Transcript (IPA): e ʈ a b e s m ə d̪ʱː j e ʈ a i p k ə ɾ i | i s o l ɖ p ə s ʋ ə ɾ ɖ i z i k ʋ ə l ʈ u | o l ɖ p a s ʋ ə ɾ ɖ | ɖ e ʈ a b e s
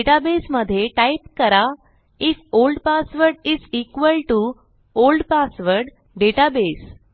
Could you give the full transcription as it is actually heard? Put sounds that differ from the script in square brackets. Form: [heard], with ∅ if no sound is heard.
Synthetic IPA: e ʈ a b e s m ə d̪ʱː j e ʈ a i p k ə ɾ [a] | i [f] o l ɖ p [a] s ʋ ə ɾ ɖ i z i k ʋ ə l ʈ u | o l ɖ p a s ʋ ə ɾ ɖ | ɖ e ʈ a b e s